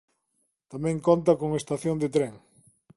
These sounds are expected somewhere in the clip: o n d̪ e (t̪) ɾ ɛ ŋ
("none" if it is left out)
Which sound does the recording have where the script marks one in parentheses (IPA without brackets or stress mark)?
t̪